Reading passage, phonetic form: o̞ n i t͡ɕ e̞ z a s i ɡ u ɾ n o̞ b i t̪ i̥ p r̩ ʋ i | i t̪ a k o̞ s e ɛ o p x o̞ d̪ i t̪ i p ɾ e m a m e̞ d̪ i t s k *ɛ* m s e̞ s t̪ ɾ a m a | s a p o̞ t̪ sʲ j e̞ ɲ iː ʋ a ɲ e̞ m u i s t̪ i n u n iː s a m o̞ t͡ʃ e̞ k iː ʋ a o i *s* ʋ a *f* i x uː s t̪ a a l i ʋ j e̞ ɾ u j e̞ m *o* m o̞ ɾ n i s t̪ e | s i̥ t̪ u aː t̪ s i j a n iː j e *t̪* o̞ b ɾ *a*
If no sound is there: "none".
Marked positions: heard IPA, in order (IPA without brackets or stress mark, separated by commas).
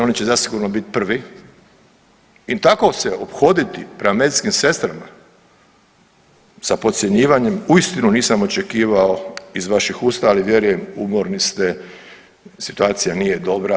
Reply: i, z, ʃ, u, d̪, a